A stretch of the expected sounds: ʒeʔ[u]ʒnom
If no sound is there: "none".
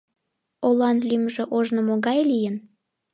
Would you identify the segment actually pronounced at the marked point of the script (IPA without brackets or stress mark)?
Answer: o